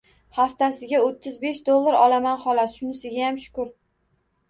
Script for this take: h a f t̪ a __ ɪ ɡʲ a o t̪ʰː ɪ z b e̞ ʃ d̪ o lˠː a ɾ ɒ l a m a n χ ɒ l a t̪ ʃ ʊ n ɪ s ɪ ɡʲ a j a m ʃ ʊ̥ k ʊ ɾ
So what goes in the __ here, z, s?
s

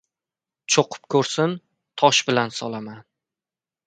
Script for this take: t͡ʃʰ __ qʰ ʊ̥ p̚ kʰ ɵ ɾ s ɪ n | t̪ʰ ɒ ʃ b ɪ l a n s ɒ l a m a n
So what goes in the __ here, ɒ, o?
o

